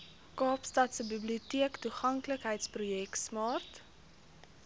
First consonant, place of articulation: velar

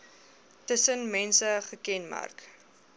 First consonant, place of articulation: alveolar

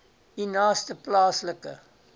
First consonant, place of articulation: alveolar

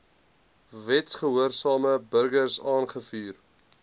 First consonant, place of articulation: labial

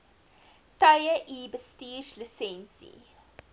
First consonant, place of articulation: alveolar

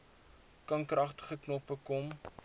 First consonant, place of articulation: velar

